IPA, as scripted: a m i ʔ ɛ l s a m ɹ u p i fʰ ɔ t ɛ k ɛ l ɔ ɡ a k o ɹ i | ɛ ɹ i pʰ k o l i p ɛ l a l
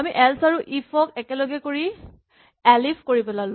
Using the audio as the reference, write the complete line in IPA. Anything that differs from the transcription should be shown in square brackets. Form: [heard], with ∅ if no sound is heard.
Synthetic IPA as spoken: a m i ʔ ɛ l s a [∅] ɹ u [ʔ] i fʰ ɔ [k] ɛ k ɛ l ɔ ɡ [ɛ] k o ɹ i | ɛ [l] i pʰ k o [ɹ] i p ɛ l a l